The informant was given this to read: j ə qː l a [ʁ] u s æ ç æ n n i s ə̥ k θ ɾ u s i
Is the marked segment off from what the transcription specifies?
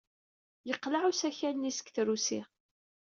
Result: yes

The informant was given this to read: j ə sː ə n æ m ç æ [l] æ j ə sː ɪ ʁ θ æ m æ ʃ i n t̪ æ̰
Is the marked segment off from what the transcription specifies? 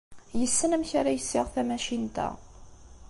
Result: yes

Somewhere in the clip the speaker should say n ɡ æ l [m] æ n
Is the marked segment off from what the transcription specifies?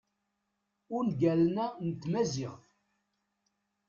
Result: yes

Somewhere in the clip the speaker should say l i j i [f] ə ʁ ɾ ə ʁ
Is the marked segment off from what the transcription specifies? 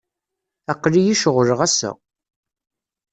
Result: yes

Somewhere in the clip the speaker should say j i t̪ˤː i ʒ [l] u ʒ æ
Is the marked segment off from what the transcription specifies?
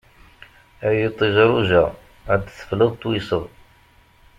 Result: yes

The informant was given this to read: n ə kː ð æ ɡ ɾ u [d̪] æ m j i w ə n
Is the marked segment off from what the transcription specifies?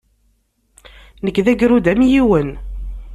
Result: no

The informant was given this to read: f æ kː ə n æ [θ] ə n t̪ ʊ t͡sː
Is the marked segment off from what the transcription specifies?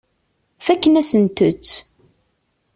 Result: yes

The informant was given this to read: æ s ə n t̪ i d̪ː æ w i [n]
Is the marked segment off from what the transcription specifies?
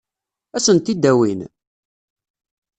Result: no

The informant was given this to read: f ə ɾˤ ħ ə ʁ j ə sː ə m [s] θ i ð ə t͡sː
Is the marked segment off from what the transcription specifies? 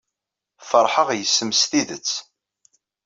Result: no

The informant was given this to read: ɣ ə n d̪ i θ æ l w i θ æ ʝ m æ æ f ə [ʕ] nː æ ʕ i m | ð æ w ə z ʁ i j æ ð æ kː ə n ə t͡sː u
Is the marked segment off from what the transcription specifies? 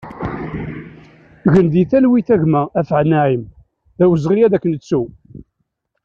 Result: no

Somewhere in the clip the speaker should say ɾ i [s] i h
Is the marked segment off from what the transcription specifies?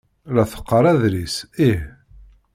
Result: no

